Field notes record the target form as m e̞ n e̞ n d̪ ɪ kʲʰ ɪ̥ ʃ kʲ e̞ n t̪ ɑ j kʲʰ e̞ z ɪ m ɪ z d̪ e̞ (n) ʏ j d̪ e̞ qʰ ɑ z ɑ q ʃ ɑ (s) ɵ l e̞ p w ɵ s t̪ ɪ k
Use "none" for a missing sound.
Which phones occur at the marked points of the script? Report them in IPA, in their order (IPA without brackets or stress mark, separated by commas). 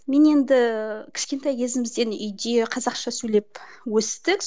n, s